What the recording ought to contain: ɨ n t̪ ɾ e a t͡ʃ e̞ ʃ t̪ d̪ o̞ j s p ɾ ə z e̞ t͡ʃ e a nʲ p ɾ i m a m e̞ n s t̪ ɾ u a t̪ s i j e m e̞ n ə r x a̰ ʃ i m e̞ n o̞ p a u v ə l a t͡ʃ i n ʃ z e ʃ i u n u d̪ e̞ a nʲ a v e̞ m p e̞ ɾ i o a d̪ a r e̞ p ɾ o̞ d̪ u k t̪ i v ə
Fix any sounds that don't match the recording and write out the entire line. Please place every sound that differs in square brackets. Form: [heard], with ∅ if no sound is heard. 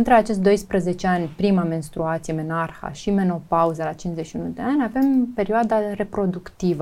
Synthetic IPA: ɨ n t̪ ɾ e a t͡ʃ e̞ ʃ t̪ d̪ o̞ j s p ɾ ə z e̞ t͡ʃ e a nʲ p ɾ i m a m e̞ n s t̪ ɾ u a t̪ s i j e m e̞ n [a] r x a̰ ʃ i m e̞ n o̞ p a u [z] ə l a t͡ʃ i n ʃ z e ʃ i u n u d̪ e̞ a nʲ a v e̞ m p e̞ ɾ i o a d̪ a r e̞ p ɾ o̞ d̪ u k t̪ i v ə